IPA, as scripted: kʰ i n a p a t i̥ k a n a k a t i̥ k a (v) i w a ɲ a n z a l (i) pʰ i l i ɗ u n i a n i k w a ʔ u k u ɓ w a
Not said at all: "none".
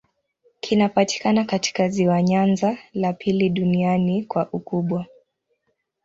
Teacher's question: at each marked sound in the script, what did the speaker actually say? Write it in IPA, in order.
z, a

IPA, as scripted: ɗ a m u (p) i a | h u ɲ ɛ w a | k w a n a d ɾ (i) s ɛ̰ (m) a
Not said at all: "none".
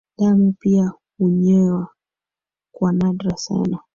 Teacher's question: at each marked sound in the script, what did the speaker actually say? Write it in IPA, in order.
p, a, n

